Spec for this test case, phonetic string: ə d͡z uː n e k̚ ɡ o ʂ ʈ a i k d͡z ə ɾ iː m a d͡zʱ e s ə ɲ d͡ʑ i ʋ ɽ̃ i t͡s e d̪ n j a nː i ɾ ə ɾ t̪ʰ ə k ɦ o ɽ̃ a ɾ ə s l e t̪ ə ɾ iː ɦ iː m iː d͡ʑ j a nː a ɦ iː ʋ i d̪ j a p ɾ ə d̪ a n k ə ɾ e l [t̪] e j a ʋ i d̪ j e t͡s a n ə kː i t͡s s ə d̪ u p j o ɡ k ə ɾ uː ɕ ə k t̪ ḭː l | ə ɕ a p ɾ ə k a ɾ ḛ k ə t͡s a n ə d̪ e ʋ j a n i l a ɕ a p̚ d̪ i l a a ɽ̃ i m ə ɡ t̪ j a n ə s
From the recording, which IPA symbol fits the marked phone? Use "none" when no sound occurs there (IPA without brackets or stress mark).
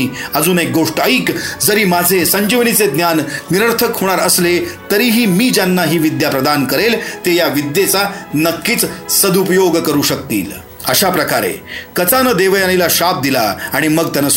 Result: t̪